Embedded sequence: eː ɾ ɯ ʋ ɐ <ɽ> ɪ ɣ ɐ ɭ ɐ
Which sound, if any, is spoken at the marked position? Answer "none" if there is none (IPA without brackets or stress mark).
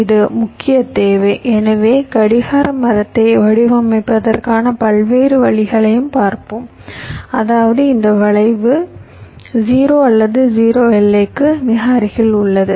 ɭ